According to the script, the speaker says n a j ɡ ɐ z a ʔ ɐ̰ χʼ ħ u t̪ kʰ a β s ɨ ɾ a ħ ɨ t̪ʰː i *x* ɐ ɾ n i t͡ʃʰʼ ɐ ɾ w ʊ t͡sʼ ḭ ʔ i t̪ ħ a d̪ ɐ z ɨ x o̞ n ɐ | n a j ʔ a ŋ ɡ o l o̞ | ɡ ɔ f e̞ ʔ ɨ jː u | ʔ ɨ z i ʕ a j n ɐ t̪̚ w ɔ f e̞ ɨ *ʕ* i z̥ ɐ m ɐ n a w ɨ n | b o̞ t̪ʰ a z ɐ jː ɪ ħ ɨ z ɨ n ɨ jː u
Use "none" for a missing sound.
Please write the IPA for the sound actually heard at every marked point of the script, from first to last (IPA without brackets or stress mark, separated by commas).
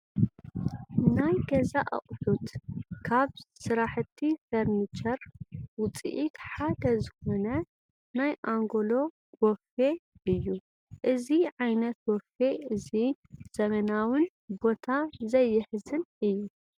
f, z